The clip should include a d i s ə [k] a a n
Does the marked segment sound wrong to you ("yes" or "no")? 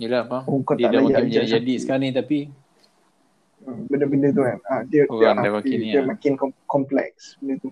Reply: no